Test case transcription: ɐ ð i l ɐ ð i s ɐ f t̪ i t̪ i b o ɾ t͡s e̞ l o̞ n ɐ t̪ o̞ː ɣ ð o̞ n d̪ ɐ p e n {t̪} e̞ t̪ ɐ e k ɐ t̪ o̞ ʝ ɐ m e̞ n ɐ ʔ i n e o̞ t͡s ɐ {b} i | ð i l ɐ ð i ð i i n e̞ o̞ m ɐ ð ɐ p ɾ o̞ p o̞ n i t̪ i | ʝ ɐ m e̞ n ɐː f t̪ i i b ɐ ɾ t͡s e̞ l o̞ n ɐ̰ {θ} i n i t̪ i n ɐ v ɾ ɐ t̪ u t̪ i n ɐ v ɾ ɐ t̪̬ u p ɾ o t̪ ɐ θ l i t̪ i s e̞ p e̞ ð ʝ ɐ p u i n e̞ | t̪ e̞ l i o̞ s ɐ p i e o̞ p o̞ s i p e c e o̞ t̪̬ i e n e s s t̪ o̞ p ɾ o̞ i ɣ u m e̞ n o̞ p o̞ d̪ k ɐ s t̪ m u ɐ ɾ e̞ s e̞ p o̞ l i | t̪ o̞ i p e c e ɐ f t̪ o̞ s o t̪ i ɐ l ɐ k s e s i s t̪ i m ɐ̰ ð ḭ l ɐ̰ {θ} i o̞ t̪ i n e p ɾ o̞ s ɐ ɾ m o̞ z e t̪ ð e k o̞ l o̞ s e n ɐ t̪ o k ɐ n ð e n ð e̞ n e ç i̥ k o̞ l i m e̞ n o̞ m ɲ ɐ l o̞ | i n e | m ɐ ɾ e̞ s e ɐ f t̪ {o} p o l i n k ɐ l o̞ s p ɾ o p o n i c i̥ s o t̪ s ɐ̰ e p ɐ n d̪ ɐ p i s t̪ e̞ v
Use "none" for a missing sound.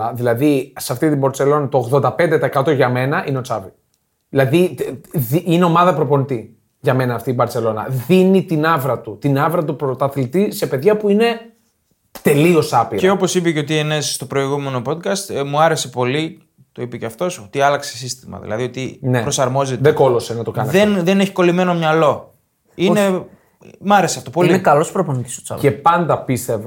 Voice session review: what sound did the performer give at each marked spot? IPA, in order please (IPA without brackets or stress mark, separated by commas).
d̪, v, ð, ð, o